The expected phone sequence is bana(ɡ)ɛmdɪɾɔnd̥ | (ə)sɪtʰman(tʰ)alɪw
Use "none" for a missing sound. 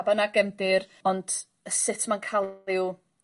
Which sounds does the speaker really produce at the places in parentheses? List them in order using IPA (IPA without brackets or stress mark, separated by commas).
ɡ, ə, kʰ